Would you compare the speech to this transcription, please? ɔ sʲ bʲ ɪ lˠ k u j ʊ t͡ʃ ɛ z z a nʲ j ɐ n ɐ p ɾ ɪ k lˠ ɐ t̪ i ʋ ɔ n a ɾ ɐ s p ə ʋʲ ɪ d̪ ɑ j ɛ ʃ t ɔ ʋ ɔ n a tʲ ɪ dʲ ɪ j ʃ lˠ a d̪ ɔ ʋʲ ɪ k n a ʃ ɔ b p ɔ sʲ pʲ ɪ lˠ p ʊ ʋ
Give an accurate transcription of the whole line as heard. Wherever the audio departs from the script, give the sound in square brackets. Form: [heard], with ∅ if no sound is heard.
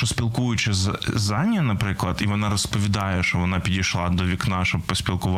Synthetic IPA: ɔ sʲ [pʲ] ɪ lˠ k u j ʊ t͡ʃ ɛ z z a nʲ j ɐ n ɐ p ɾ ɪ k lˠ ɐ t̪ i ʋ ɔ n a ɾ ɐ s p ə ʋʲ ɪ d̪ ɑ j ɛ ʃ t ɔ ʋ ɔ n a [pʲ] ɪ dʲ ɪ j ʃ lˠ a d̪ ɔ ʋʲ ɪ k n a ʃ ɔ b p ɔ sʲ pʲ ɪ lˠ [k] ʊ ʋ